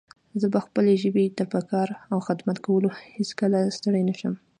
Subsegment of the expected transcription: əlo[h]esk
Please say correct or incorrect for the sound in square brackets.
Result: correct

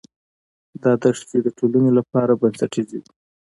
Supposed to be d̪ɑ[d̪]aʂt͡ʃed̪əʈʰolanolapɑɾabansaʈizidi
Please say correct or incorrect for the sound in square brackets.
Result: correct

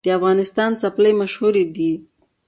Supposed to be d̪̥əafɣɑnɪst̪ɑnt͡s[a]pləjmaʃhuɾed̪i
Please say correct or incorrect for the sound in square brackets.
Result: correct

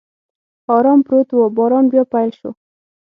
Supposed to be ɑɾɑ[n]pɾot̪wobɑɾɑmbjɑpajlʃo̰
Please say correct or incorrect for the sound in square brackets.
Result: incorrect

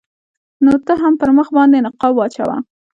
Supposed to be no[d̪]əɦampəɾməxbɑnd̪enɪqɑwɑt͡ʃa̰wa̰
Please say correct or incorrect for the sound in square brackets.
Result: incorrect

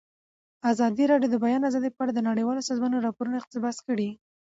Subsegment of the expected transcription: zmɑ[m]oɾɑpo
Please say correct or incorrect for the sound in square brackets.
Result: incorrect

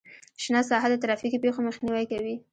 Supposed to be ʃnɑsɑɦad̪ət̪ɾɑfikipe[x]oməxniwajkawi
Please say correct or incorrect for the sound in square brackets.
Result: correct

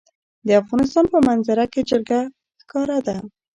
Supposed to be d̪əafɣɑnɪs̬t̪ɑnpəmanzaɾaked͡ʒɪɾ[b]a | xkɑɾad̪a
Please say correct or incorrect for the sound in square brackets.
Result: incorrect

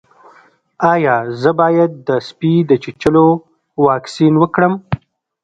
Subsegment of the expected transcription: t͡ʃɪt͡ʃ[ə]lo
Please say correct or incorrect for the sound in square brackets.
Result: correct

